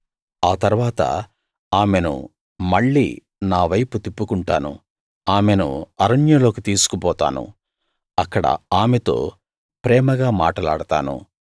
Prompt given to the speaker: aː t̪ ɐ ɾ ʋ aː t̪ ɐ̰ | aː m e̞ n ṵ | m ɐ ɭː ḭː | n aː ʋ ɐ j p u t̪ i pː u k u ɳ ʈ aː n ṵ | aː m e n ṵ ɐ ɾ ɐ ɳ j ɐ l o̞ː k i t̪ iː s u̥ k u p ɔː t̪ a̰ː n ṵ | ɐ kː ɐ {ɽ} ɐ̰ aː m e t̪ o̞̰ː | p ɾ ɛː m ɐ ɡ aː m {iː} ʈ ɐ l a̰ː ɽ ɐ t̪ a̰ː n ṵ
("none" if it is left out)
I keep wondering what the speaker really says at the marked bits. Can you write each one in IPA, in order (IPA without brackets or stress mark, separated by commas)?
ɽ, aː